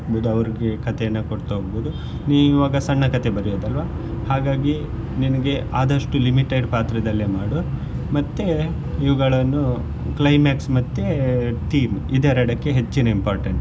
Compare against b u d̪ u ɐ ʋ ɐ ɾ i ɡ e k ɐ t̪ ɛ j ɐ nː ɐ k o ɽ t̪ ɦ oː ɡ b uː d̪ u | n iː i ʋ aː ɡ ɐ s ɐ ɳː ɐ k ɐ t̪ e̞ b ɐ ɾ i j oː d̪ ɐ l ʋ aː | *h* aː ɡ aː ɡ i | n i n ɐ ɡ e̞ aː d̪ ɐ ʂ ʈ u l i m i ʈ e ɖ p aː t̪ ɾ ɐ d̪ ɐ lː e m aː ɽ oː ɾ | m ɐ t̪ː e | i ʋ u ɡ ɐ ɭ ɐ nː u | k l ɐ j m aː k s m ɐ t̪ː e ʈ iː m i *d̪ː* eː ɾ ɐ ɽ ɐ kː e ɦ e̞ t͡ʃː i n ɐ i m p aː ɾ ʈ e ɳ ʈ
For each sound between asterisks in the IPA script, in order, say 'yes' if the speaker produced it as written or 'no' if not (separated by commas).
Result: yes, no